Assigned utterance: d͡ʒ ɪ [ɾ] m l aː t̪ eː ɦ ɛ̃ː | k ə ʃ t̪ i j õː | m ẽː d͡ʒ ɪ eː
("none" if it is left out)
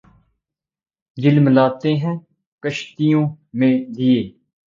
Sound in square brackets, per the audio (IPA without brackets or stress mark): l